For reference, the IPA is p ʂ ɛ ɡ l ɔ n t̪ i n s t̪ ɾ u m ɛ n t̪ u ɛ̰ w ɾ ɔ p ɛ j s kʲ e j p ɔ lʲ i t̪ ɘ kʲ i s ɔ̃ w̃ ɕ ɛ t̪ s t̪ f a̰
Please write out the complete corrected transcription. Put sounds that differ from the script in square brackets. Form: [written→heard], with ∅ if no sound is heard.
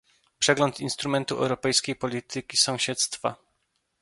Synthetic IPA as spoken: p ʂ ɛ ɡ l ɔ n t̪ i n s t̪ ɾ u m ɛ n t̪ u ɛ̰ w ɾ ɔ p ɛ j s kʲ e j p ɔ lʲ i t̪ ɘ kʲ i s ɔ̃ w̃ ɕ ɛ t̪ s t̪ f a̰